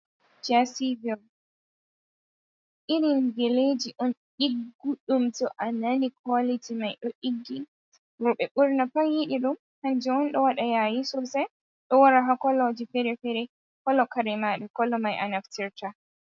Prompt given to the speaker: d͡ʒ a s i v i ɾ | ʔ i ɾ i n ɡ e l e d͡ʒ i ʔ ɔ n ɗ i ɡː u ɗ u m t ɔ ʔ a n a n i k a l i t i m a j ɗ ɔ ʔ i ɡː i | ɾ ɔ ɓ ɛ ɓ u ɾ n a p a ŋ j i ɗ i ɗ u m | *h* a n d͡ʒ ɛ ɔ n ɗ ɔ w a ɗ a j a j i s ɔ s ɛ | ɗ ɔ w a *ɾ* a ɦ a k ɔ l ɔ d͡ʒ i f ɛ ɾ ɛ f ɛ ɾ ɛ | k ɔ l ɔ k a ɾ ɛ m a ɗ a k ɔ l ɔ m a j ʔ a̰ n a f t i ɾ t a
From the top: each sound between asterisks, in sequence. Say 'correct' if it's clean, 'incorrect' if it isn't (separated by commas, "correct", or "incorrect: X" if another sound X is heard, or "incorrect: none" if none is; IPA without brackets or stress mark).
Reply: correct, correct